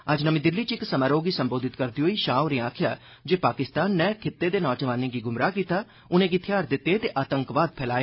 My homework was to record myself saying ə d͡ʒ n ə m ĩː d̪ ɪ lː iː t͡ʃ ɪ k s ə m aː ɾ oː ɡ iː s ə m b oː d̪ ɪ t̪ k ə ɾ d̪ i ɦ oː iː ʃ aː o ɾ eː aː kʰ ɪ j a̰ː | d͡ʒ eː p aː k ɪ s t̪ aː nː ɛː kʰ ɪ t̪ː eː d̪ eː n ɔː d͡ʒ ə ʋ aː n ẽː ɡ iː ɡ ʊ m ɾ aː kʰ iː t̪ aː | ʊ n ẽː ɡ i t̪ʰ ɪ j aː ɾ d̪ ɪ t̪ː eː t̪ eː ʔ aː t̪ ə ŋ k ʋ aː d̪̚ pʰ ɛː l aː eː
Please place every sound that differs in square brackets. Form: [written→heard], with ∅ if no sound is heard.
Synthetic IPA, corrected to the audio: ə d͡ʒ n ə m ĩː d̪ ɪ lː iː t͡ʃ ɪ k s ə m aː ɾ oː ɡ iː s ə m b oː d̪ ɪ t̪ k ə ɾ d̪ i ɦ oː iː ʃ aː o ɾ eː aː kʰ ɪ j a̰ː | d͡ʒ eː p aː k ɪ s t̪ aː nː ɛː kʰ ɪ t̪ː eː d̪ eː n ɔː d͡ʒ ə ʋ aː n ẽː ɡ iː ɡ ʊ m ɾ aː [kʰ→k] iː t̪ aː | ʊ n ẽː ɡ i t̪ʰ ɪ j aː ɾ d̪ ɪ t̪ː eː t̪ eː ʔ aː t̪ ə ŋ k ʋ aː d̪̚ pʰ ɛː l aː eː